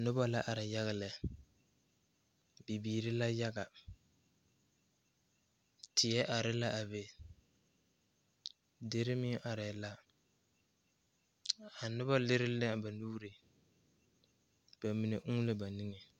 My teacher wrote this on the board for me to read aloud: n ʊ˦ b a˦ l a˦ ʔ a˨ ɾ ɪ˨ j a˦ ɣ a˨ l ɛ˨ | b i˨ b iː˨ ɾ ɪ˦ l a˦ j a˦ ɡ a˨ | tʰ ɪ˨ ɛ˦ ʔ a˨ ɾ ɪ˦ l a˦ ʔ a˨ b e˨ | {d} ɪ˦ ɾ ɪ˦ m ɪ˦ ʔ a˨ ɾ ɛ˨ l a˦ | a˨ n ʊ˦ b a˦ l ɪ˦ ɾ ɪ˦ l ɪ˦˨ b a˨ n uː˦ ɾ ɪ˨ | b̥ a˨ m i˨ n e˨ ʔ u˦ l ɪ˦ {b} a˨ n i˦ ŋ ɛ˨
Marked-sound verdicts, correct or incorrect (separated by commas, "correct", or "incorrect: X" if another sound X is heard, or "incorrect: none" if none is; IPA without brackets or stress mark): correct, correct